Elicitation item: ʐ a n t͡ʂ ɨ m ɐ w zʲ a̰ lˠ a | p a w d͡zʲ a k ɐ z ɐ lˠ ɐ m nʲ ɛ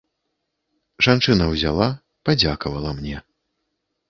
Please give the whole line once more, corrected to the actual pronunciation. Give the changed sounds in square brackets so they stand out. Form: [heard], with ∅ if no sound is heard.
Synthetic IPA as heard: ʐ a n t͡ʂ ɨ [n] ɐ w zʲ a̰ lˠ a | p a [∅] d͡zʲ a k ɐ [v] ɐ lˠ ɐ m nʲ ɛ